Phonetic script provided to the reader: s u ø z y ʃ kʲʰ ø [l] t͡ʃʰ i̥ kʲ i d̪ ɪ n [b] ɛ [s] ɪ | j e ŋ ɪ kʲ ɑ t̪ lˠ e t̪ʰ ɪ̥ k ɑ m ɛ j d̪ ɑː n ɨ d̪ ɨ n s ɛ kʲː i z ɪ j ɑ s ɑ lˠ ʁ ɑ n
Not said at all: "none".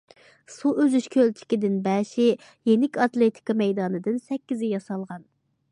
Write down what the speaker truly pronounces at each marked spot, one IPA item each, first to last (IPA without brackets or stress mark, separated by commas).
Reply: l, b, ʃ